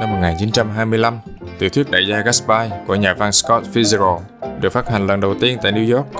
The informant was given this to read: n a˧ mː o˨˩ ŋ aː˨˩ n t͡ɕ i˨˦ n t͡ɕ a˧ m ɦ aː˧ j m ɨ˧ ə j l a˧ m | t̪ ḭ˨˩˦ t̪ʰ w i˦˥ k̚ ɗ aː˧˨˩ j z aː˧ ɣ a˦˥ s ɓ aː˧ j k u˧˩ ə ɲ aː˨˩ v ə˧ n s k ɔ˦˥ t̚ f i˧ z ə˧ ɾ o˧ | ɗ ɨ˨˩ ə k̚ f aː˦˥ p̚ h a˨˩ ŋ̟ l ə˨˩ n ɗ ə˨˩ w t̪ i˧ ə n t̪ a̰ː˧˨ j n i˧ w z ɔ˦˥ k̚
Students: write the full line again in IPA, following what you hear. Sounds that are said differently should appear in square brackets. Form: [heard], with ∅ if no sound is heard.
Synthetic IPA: n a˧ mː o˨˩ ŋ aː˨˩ n t͡ɕ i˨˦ n t͡ɕ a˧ m ɦ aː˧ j m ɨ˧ ə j l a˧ m | t̪ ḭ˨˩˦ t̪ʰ w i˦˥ k̚ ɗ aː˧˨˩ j z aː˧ ɣ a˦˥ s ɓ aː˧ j k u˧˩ ə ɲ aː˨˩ v [a˧] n s k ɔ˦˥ t̚ f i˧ z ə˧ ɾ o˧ | ɗ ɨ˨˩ ə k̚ f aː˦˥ [t̚] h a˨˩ ŋ̟ l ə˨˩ n ɗ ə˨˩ w t̪ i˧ ə n t̪ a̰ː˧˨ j n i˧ w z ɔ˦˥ k̚